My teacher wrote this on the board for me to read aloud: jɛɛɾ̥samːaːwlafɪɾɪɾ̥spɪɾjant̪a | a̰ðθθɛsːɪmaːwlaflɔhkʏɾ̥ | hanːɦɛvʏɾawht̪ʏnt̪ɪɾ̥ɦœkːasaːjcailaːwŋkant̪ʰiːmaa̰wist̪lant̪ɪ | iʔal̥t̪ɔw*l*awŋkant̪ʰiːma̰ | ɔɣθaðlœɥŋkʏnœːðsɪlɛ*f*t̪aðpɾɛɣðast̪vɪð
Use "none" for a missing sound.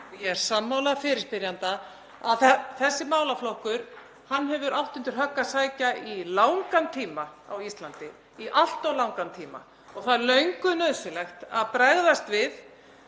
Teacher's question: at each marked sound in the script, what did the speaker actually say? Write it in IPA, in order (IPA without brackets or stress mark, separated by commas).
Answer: l, x